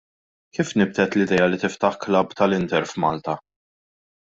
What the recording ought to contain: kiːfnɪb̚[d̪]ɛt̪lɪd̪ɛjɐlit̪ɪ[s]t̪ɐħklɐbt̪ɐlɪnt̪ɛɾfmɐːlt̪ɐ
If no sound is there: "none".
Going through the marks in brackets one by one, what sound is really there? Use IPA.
t̪, f

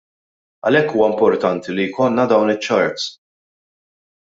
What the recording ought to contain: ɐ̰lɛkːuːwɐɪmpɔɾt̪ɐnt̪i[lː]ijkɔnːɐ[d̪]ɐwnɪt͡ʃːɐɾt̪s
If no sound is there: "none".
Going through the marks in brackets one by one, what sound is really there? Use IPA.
l, d̪

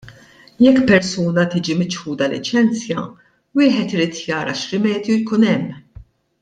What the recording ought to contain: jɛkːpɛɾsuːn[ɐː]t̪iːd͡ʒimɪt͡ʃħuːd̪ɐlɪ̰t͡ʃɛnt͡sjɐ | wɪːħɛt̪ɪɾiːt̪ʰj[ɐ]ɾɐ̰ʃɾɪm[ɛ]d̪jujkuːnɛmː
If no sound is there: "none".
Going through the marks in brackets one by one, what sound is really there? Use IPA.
ɐ, ɐː, ɛː

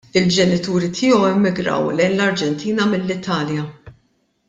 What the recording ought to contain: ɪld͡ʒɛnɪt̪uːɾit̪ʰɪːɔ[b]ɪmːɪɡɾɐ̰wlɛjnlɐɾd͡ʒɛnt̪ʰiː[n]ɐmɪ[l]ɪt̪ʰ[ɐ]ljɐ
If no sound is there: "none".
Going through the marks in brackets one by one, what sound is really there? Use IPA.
w, n, lː, ɐː

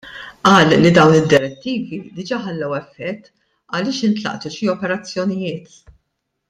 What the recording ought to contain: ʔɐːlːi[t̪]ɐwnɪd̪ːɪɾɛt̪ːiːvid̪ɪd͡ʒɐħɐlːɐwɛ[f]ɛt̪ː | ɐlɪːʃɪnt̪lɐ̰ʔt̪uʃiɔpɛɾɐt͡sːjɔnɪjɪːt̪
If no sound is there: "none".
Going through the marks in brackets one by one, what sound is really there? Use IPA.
d̪, fː

